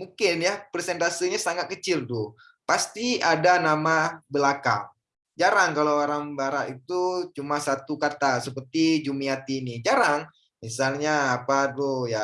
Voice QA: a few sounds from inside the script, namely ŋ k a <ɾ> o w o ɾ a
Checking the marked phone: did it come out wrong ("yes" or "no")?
yes